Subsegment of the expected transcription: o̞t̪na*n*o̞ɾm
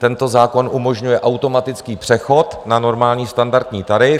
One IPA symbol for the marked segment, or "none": n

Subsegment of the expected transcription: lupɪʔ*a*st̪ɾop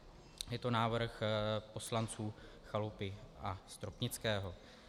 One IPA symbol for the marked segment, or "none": a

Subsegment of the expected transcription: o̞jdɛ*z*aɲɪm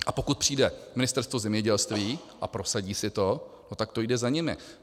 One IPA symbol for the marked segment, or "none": z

